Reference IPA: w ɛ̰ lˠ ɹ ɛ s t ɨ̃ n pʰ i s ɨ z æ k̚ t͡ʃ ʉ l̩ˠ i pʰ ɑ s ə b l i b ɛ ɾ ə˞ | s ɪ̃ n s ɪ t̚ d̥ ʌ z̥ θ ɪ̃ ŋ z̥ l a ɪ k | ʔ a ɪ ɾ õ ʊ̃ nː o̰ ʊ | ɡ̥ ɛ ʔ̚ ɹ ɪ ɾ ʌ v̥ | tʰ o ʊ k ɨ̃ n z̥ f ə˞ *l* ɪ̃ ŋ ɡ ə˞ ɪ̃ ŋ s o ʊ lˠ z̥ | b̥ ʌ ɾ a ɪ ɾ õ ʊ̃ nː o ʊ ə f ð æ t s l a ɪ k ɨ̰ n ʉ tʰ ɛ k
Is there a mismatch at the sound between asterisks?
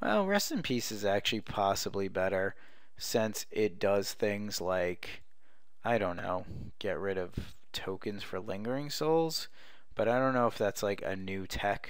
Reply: no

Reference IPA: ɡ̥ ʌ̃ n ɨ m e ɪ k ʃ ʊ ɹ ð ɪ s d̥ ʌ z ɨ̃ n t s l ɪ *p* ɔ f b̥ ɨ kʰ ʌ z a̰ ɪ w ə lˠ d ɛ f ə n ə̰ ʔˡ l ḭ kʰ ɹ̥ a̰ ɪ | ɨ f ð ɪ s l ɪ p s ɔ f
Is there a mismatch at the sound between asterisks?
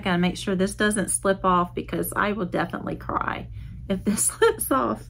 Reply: no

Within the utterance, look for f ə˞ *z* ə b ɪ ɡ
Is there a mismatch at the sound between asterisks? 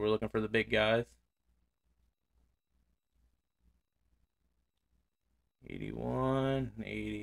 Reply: yes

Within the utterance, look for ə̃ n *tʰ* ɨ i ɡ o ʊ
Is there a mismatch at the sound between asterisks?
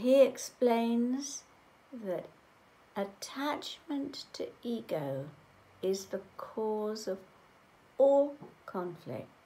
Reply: no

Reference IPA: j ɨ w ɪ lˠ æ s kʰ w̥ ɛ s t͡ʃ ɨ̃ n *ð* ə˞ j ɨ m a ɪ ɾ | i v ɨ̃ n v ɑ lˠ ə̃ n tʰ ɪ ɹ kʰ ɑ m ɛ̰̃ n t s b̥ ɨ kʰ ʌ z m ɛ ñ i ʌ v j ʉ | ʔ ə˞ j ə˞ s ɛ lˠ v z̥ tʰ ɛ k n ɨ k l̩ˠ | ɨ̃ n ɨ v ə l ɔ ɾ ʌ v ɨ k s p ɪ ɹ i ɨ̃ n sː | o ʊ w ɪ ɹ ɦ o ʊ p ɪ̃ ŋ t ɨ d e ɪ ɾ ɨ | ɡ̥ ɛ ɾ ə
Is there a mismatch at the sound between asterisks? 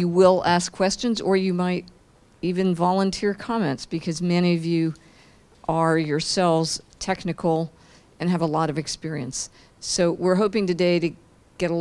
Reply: yes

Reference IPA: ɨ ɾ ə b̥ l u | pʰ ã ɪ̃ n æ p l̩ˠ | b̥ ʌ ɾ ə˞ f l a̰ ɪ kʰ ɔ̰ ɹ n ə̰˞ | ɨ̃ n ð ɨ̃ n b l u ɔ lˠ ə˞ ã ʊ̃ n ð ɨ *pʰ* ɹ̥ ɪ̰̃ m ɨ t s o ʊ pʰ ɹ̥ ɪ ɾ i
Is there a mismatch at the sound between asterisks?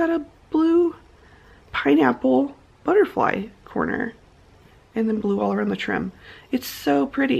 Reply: yes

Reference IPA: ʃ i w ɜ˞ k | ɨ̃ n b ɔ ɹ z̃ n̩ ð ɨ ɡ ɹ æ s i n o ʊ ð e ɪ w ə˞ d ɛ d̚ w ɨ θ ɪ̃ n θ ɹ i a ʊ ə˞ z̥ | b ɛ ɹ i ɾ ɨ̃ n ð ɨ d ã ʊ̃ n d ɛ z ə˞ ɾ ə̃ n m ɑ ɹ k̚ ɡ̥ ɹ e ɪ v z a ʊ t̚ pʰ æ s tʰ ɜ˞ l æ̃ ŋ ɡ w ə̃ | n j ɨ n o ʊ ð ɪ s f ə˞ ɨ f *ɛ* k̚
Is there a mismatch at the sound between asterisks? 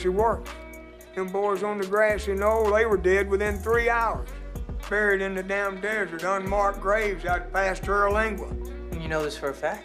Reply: yes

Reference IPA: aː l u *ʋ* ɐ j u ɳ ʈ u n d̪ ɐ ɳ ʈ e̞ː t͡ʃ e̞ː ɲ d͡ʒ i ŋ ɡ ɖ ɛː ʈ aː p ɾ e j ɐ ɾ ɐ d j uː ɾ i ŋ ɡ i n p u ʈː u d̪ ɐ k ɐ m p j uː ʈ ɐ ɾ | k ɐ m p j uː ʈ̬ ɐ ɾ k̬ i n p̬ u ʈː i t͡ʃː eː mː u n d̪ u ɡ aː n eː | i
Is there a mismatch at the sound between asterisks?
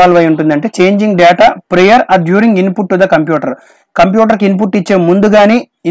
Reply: no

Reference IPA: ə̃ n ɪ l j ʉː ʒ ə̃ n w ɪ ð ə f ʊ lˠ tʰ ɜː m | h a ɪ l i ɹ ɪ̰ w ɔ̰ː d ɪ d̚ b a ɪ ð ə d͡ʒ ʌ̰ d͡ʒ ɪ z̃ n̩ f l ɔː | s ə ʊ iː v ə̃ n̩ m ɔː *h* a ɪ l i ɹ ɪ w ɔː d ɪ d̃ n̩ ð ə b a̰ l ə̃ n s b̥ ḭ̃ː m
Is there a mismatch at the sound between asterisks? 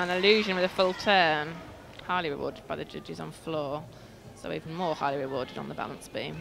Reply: no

